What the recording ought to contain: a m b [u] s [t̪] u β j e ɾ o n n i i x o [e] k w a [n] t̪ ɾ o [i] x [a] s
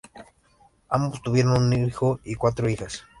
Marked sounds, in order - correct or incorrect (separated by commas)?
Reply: incorrect, correct, incorrect, incorrect, correct, correct